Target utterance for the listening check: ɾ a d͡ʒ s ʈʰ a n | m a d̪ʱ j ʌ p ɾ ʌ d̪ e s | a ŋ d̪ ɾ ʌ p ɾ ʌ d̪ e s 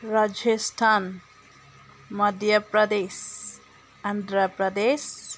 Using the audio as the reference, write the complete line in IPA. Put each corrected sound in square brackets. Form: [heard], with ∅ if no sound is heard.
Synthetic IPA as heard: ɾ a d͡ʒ s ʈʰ a n | m [ʌ] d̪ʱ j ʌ p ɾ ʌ d̪ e s | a [n] d̪ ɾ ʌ p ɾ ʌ d̪ e s